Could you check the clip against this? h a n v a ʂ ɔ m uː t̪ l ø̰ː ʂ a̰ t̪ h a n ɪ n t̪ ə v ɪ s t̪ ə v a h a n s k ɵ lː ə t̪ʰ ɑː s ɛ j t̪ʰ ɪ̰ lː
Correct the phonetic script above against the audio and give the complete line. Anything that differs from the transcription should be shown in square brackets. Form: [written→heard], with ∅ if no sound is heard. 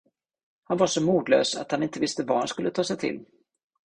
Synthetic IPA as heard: h a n v a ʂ ɔ m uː [t̪→d̪] l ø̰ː [ʂ→s] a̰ t̪ h a n ɪ n t̪ ə v ɪ s t̪ ə v a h a n s k ɵ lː ə t̪ʰ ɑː s ɛ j t̪ʰ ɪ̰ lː